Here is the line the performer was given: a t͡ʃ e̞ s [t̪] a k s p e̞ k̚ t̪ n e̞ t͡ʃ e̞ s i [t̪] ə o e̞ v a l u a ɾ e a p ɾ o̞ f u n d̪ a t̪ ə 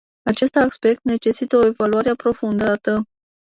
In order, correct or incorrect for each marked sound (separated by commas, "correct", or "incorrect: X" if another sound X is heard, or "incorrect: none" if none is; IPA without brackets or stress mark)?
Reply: correct, correct